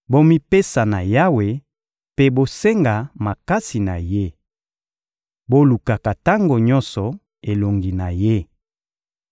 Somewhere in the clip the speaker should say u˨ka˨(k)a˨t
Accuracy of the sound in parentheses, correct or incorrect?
correct